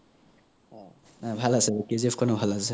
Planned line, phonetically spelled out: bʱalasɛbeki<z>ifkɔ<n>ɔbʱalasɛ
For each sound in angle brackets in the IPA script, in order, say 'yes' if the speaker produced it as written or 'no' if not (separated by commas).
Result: yes, yes